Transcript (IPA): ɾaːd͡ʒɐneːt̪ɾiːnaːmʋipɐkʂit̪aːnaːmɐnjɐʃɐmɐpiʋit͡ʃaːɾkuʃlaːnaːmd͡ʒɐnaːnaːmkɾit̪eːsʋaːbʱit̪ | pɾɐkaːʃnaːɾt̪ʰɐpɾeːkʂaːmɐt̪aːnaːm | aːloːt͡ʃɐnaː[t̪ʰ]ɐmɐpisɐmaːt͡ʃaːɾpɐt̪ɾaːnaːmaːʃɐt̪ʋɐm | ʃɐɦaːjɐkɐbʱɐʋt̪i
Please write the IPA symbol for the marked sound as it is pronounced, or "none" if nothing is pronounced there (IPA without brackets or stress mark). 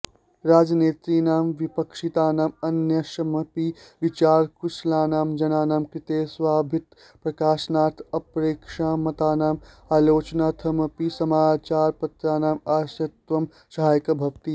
t̪ʰ